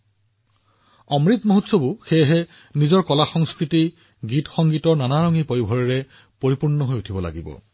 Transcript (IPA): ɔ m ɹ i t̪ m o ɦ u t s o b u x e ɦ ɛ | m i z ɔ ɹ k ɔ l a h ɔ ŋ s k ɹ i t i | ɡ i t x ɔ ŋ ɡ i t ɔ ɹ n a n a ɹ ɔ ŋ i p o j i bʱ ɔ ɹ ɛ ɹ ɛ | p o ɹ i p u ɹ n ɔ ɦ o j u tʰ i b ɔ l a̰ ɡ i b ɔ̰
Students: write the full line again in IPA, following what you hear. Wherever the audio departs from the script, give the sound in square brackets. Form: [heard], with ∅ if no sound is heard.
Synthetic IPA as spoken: ɔ m ɹ i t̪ m o ɦ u t s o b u x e ɦ ɛ | [n] i z ɔ ɹ k ɔ l a [x] ɔ ŋ s k ɹ i t i | ɡ i t x ɔ ŋ ɡ i t ɔ ɹ n a n a ɹ ɔ ŋ i p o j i bʱ ɔ ɹ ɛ ɹ ɛ | p o ɹ i p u ɹ n ɔ ɦ o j u tʰ i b ɔ l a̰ ɡ i b ɔ̰